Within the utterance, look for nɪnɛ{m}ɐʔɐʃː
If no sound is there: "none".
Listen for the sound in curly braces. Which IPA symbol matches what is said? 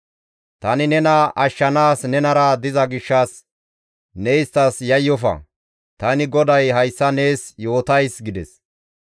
n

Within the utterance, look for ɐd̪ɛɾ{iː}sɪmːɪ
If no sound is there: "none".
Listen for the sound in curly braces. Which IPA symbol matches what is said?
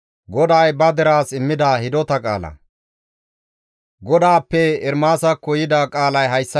aː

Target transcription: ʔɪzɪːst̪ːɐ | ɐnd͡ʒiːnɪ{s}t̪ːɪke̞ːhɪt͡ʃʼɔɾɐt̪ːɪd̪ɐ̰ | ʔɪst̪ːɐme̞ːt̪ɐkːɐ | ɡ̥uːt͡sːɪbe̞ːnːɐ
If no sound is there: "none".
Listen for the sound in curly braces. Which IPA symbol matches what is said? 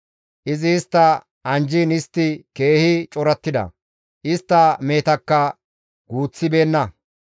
s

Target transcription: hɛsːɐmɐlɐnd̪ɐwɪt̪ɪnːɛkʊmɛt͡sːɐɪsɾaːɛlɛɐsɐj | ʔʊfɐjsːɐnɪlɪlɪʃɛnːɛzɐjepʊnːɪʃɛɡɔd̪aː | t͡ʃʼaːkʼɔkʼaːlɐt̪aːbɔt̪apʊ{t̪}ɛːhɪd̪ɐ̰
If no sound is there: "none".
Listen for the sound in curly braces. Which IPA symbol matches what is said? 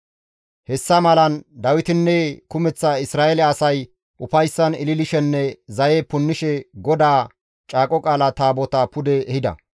d̪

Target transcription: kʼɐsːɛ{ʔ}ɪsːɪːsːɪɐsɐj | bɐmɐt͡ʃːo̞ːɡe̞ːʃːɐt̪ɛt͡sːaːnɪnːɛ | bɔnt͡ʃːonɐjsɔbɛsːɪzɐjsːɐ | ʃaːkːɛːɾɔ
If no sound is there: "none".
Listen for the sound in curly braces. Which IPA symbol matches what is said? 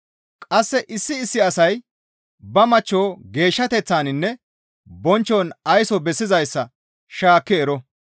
ʔ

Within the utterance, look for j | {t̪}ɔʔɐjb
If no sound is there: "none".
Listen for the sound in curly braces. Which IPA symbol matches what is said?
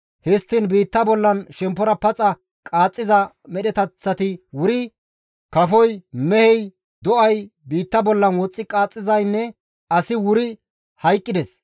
d̪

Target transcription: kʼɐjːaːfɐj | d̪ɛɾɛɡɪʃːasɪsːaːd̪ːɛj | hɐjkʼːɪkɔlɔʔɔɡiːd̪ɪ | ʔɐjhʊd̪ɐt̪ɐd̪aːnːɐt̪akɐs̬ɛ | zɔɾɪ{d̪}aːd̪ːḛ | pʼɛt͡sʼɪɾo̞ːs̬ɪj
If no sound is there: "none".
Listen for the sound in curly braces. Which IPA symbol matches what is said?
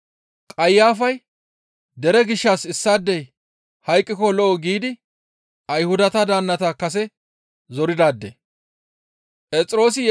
d̪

